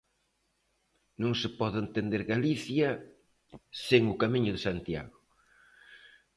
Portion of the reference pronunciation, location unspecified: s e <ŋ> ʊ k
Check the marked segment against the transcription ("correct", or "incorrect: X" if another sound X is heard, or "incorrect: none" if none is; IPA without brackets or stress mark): correct